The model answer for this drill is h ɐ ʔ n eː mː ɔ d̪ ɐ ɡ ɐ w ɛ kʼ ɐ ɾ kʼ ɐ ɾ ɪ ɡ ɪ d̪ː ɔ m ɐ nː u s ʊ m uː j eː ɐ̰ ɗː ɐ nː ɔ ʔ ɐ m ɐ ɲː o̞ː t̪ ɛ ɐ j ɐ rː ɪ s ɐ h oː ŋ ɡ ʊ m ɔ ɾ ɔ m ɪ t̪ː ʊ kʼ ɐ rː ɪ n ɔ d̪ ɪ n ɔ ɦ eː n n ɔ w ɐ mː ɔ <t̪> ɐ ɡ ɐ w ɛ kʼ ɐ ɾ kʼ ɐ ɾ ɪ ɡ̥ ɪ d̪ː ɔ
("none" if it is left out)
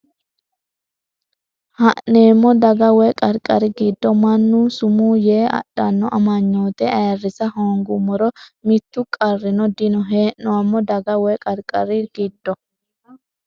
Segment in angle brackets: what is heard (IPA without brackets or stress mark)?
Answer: d̪